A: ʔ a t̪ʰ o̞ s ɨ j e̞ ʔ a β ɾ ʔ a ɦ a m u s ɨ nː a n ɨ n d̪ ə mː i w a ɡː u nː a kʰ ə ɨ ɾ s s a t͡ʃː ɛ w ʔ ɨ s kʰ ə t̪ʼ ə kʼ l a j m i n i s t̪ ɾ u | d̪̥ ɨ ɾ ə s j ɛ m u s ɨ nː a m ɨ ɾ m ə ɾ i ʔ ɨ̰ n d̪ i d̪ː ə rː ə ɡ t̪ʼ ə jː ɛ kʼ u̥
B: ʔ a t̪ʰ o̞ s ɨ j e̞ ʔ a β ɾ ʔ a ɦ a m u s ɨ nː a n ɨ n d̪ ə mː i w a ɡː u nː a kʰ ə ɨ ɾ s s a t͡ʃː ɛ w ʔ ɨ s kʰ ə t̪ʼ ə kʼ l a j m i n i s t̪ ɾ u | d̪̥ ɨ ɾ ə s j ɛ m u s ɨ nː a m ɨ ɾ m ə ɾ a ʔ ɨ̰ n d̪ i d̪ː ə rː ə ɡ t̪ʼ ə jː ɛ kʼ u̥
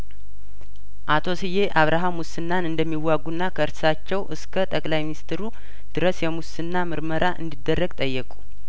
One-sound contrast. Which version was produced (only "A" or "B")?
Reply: B